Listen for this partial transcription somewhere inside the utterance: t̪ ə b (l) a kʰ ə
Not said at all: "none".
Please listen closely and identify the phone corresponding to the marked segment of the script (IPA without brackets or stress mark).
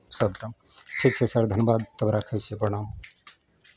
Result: ɾ